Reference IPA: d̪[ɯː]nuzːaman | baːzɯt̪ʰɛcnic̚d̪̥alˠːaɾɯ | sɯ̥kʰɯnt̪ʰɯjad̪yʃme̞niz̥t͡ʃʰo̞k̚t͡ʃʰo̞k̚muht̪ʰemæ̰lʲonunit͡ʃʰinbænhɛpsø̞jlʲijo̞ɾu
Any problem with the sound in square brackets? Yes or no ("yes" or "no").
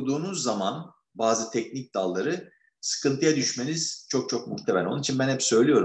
yes